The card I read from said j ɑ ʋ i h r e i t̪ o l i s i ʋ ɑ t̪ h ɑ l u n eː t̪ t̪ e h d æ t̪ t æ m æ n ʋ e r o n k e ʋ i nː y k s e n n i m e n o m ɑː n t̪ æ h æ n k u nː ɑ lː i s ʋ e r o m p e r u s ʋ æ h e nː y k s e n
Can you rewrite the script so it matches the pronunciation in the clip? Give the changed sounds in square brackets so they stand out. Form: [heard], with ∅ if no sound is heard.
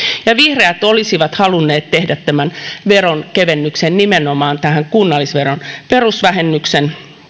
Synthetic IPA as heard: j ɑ ʋ i h r e [æ] t̪ o l i s i ʋ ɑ t̪ h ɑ l u [nː] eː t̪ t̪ e h d æ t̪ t æ m æ n ʋ e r o n k e ʋ [e] nː y k s e n n i m e n o m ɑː n t̪ æ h æ [ŋ] k u nː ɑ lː i s ʋ e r o [n] p e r u s ʋ æ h e nː y k s e n